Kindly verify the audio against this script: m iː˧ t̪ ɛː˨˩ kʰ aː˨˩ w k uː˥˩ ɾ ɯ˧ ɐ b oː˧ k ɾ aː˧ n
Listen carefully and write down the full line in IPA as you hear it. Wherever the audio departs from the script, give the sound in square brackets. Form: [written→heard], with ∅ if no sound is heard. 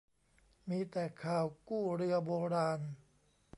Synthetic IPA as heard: m iː˧ t̪ ɛː˨˩ kʰ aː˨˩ w k uː˥˩ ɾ ɯ˧ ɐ b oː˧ [k→∅] ɾ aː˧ n